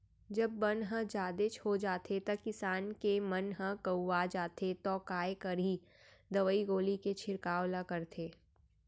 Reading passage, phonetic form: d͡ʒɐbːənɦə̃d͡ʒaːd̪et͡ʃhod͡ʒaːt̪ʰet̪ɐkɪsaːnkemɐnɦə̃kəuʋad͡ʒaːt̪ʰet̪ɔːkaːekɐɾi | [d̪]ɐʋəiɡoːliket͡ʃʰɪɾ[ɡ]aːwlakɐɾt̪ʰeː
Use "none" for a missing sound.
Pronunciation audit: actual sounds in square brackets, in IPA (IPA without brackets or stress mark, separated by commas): d̪, k